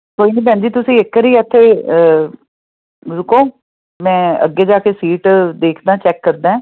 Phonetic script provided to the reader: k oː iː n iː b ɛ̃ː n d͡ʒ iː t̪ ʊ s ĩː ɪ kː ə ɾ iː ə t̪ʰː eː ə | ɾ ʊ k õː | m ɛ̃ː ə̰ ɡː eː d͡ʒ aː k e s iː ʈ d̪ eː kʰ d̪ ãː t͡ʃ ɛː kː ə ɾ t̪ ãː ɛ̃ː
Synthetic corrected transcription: k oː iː n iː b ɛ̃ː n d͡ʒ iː t̪ ʊ s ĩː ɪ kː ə ɾ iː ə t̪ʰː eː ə | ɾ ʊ k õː | m ɛ̃ː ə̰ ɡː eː d͡ʒ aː k e s iː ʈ d̪ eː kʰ d̪ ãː t͡ʃ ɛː kː ə ɾ d̪ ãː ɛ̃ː